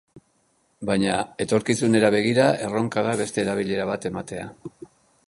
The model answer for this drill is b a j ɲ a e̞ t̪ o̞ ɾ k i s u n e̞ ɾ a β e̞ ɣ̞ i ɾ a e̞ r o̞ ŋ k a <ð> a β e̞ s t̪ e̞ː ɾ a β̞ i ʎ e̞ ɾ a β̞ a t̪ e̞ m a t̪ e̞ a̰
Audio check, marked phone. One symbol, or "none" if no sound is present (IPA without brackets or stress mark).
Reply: ð